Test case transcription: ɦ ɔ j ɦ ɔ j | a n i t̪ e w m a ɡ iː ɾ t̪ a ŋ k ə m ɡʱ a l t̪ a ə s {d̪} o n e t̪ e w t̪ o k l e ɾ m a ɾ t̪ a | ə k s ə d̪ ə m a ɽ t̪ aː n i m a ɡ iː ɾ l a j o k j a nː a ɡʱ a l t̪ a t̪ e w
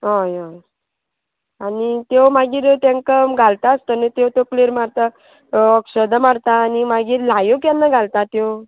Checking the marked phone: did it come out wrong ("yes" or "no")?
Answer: yes